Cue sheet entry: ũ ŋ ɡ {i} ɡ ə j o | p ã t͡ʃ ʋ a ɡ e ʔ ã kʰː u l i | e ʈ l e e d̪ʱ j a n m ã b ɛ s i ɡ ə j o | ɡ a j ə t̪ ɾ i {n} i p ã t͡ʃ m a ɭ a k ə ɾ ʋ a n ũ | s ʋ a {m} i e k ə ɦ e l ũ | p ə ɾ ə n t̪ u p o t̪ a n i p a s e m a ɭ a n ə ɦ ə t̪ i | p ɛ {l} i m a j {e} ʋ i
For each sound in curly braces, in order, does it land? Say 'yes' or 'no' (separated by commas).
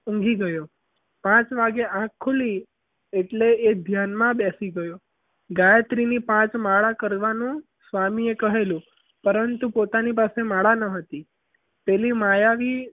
yes, yes, yes, yes, no